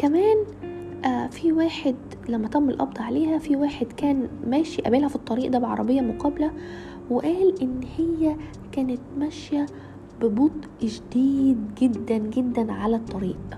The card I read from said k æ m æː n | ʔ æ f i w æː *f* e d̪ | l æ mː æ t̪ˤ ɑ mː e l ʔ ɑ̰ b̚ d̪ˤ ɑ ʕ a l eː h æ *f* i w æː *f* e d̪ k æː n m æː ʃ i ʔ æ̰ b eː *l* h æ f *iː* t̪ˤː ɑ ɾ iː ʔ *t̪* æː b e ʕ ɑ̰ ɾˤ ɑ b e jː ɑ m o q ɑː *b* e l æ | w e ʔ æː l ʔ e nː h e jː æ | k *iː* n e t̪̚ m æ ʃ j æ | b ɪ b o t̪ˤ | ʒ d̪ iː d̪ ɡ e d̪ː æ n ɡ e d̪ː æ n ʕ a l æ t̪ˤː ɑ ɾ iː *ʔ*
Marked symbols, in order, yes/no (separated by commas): no, yes, no, yes, no, no, yes, no, yes